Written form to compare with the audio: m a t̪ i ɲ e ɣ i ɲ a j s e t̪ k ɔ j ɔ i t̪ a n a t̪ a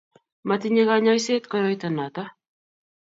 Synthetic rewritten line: m a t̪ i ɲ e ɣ a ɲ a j s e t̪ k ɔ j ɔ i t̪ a n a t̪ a